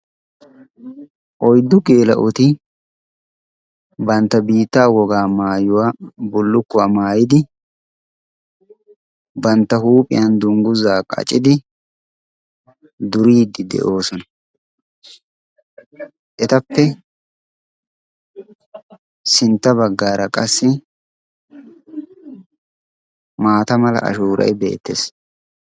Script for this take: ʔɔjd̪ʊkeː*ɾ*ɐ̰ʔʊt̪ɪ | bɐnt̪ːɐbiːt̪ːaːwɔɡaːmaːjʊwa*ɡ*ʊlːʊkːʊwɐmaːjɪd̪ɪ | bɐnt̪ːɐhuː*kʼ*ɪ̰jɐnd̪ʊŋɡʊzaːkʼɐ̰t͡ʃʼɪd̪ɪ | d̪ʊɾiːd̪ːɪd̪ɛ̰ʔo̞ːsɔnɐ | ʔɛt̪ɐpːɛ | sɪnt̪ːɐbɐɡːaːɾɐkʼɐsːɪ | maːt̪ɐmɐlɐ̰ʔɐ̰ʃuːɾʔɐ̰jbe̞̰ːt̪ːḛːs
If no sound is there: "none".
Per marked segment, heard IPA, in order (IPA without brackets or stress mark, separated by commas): l, b, pʼ